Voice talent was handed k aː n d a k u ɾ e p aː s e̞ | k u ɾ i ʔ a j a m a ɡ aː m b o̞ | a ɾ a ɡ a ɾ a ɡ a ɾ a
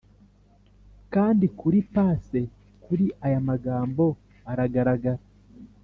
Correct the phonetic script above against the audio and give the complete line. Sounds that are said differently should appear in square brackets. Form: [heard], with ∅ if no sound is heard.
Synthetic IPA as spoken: k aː n d [i] k u ɾ [i] p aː s e̞ | k u ɾ i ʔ a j a m a ɡ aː m b o̞ | a ɾ a ɡ a ɾ a ɡ a ɾ a